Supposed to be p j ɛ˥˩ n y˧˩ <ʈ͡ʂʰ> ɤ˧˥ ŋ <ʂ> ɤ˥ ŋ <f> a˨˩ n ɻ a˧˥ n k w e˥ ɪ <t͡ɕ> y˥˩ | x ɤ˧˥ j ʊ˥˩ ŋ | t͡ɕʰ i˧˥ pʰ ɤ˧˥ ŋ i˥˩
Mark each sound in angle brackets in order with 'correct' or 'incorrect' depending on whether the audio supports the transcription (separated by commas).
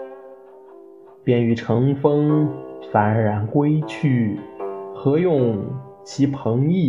correct, incorrect, correct, incorrect